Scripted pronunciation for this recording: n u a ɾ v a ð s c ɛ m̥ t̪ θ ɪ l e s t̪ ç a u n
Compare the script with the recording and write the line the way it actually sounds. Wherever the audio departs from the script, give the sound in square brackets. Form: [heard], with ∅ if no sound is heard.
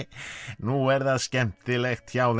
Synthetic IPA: n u [ɛ] ɾ [ð] a ð s c ɛ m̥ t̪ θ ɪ l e [x] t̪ ç a [w] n

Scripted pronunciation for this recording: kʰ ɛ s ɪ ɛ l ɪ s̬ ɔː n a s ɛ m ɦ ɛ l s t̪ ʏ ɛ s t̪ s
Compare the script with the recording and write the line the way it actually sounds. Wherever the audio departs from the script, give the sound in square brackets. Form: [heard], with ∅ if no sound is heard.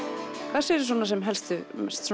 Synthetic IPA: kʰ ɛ s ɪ ɛ [ɾ] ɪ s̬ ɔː n a s ɛ m ɦ ɛ l s t̪ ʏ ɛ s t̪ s

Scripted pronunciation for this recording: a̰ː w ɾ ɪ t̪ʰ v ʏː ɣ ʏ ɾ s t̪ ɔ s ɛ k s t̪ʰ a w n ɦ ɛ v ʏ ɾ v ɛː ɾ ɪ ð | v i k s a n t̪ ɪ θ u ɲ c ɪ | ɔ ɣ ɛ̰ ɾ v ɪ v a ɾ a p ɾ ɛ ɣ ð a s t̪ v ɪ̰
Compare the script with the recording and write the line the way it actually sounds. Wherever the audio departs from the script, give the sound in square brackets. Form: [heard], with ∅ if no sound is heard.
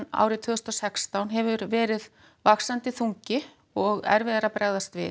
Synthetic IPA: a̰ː w ɾ ɪ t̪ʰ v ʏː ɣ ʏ [∅] s t̪ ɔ s ɛ k s [t̪] a w n ɦ ɛ v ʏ ɾ v ɛː ɾ ɪ ð | v [a] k s a n t̪ ɪ θ u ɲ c ɪ | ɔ ɣ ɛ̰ ɾ v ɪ [ð] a ɾ a p ɾ ɛ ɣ ð a s t̪ v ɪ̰

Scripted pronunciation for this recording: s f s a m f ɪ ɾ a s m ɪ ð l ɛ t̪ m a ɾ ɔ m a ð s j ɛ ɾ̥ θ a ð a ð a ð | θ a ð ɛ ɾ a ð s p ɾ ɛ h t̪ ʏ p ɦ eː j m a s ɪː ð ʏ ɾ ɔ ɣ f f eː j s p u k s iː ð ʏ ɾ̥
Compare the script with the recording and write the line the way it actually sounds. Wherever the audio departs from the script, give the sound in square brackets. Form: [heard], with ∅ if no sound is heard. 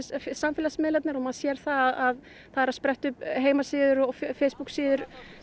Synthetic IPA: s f s a m f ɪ [l] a s m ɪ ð l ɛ t̪ [n] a ɾ ɔ m a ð s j ɛ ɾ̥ θ a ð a ð a ð | θ a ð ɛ ɾ a ð s p ɾ ɛ h t̪ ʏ p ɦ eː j m a s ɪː ð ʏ ɾ ɔ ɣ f f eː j s p u k s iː ð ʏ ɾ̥

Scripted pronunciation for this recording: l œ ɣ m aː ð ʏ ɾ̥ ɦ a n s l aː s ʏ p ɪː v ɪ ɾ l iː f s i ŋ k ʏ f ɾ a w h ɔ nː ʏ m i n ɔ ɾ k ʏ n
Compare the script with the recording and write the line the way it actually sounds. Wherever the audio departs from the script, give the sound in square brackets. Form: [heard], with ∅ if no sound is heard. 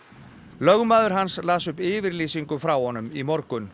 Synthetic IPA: l œ ɣ m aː ð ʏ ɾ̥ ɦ a n s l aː s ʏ p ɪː v ɪ ɾ l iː [∅] s i ŋ k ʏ f ɾ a w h ɔ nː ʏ m i [m] ɔ ɾ k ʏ n

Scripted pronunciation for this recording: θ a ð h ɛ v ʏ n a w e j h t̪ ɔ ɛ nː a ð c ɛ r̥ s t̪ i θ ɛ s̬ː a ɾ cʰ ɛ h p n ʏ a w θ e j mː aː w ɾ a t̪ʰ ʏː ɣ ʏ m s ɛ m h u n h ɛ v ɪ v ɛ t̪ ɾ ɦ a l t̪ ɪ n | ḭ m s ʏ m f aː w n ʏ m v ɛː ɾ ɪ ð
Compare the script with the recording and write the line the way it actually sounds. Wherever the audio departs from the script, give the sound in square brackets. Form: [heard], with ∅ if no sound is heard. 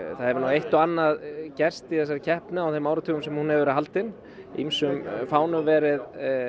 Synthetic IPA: θ a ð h ɛ v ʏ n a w e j h t̪ ɔ [a] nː a ð c ɛ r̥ s t̪ i θ ɛ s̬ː a ɾ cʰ ɛ h p n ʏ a w θ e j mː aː w ɾ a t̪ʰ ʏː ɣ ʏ m s ɛ m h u n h ɛ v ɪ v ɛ [∅] ɾ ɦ a l t̪ ɪ n | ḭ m s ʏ m f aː w n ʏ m v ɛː ɾ ɪ ð

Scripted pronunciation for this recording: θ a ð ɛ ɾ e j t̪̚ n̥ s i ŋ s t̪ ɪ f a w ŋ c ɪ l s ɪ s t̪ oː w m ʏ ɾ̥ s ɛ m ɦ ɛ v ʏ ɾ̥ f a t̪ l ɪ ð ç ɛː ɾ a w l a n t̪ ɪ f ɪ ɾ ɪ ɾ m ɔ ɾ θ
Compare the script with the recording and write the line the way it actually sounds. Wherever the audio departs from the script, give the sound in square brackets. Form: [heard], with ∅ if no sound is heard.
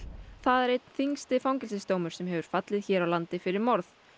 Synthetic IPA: θ a ð ɛ ɾ e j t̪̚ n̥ [θ] i ŋ s t̪ ɪ f a w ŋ c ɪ l s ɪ s t̪ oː w m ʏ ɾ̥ s ɛ m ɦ ɛ v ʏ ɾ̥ f a t̪ l ɪ ð ç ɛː ɾ a w l a n t̪ ɪ f ɪ ɾ ɪ ɾ m ɔ ɾ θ

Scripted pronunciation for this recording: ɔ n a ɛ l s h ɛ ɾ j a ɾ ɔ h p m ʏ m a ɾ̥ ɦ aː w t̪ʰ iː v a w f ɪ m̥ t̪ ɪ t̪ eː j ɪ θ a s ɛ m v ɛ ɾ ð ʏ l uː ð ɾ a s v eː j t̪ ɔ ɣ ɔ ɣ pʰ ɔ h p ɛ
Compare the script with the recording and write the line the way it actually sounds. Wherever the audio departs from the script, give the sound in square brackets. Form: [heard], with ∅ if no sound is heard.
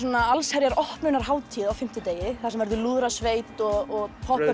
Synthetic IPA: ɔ n a [a] l s h ɛ ɾ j a ɾ ɔ h p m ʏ [n] a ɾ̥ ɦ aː w t̪ʰ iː [ð] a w f ɪ m̥ t̪ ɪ t̪ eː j ɪ θ a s ɛ m v ɛ ɾ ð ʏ l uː ð ɾ a s v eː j t̪ ɔ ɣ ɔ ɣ pʰ ɔ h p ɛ

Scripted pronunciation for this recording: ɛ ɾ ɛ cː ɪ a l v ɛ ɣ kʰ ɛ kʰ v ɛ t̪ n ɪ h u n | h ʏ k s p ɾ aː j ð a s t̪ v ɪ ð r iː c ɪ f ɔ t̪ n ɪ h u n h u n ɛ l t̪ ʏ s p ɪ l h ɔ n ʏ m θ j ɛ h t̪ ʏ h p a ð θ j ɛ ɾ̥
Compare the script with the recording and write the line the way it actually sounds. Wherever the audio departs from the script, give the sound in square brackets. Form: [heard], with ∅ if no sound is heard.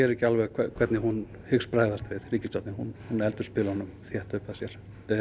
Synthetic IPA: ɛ ɾ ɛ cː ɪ a l v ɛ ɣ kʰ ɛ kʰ v ɛ t̪ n ɪ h u n | h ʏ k s p ɾ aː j ð a s t̪ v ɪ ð r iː c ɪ [s] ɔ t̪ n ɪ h u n h u n ɛ l t̪ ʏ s p ɪ l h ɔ n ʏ m θ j ɛ h t̪ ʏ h p a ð [s] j ɛ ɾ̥

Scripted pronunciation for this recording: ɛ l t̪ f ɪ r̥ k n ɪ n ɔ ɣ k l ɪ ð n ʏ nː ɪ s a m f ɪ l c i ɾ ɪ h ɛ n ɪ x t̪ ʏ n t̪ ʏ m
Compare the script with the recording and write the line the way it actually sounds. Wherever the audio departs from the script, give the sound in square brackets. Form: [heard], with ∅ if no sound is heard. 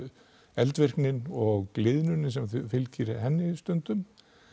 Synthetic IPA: ɛ l t̪ [v] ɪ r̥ k n ɪ n ɔ ɣ k l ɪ ð n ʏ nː ɪ s [ɛ] m f ɪ l c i ɾ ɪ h ɛ [nː] ɪ [s] t̪ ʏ n t̪ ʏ m

